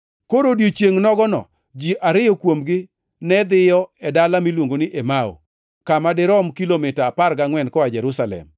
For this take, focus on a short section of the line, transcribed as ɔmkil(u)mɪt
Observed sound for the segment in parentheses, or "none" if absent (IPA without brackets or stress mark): o